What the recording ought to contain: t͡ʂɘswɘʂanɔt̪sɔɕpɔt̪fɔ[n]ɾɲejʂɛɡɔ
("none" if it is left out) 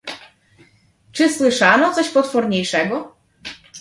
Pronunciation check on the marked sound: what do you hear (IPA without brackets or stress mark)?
none